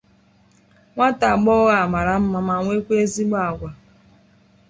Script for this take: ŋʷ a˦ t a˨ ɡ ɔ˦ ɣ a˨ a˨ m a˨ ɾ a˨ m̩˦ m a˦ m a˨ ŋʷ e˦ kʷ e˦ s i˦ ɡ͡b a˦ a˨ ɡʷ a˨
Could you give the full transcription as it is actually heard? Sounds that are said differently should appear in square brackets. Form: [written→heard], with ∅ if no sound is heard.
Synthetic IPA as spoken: ŋʷ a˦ t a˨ [ɡ→ɡ͡b] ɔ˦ ɣ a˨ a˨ m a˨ ɾ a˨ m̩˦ m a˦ m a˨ ŋʷ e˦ kʷ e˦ [s→z] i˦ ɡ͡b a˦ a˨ ɡʷ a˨